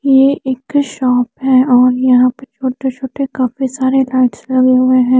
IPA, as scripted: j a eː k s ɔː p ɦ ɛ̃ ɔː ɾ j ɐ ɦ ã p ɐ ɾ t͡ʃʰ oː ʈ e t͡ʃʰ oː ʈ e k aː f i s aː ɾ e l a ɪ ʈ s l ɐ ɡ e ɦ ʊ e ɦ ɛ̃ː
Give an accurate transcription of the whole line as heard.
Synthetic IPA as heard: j e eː k ʃ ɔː p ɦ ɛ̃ ɔː ɾ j ɐ ɦ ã p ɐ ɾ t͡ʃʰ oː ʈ e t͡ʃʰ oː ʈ e k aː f i s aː ɾ e l a ɪ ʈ s l ɐ ɡ e ɦ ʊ e ɦ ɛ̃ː